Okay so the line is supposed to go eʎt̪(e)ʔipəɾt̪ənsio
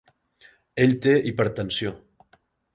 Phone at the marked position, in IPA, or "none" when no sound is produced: e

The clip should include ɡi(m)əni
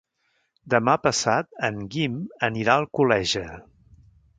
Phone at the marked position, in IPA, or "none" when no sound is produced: m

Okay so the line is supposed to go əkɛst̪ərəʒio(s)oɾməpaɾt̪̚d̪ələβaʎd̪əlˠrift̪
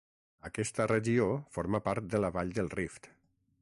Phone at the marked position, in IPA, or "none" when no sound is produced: f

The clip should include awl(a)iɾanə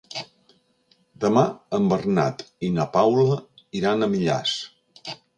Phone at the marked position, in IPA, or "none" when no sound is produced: ə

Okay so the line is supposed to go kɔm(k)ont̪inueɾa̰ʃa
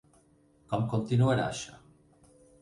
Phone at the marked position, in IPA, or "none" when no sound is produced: k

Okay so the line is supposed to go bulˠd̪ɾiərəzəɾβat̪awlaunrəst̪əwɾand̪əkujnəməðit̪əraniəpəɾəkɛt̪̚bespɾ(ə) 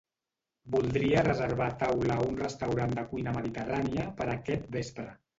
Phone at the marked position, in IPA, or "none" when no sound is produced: ə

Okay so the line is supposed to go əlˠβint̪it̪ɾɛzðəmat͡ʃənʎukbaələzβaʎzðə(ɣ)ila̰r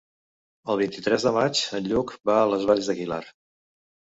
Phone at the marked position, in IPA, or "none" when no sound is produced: ɣ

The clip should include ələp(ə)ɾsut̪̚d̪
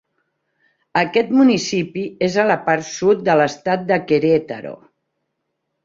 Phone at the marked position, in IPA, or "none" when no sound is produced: a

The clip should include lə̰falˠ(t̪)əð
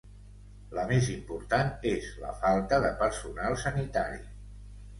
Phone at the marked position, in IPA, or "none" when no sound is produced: t̪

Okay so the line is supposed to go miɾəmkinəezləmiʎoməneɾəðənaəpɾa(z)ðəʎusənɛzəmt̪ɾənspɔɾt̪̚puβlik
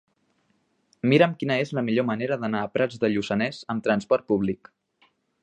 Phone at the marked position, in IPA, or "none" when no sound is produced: d͡z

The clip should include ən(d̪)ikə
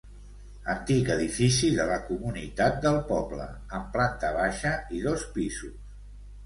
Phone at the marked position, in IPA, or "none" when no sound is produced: t̪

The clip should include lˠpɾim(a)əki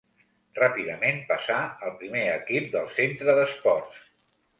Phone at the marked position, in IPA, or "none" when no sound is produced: e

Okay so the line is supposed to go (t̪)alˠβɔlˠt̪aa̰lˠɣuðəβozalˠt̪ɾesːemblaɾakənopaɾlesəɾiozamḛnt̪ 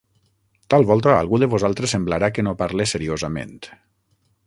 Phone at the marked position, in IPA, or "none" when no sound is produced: t̪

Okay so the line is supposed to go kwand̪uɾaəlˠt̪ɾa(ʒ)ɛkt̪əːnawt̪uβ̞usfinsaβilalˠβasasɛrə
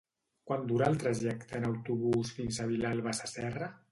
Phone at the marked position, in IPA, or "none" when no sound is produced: ʒ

